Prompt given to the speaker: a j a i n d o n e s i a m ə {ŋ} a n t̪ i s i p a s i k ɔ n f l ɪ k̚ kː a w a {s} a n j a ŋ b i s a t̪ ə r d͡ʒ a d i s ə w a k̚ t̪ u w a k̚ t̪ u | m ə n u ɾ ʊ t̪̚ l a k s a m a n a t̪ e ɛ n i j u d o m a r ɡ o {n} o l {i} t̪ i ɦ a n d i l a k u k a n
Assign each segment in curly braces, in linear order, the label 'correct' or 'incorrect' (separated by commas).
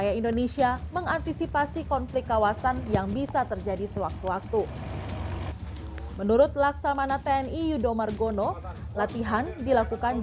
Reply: correct, correct, correct, incorrect